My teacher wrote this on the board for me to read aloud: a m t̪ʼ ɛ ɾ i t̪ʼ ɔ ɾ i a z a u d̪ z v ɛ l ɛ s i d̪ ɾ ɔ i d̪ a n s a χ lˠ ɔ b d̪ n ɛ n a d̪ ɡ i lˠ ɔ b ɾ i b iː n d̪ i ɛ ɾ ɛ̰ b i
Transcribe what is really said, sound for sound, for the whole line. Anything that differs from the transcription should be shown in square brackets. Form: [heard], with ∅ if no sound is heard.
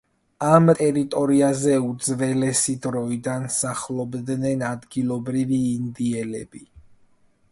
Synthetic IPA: a m t̪ʼ ɛ ɾ i t̪ʼ ɔ ɾ i a z [ɛ] u d̪ z v ɛ l ɛ s i d̪ ɾ ɔ i d̪ a n s a χ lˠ ɔ b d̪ n ɛ n a d̪ ɡ i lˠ ɔ b ɾ i [v] iː n d̪ i ɛ [l] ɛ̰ b i